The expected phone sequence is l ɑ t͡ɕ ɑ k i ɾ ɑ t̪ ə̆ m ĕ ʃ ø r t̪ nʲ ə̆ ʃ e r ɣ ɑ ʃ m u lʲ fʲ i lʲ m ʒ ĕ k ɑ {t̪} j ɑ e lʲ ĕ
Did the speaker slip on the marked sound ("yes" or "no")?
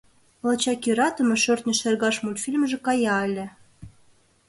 yes